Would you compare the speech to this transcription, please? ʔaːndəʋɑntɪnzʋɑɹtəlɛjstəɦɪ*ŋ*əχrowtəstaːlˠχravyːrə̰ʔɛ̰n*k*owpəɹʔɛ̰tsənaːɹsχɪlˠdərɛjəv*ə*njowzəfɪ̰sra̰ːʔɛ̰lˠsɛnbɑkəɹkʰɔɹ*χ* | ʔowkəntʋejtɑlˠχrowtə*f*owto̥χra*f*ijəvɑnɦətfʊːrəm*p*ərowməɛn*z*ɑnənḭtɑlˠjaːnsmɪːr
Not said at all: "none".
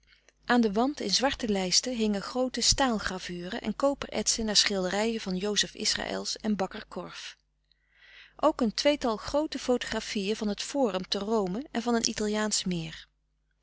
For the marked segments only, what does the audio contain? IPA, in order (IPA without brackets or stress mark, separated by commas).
ŋ, k, ɑ, f, f, f, t, v